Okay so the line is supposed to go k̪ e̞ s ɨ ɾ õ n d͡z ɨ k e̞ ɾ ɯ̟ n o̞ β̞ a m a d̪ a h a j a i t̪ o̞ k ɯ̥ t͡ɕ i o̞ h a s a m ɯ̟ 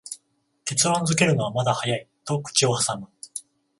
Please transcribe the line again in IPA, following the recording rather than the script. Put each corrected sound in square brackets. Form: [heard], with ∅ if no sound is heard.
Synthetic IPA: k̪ e̞ [t͡s] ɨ ɾ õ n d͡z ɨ k e̞ ɾ ɯ̟ n o̞ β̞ a m a d̪ a h a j a i t̪ o̞ k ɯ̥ t͡ɕ i o̞ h a s a m ɯ̟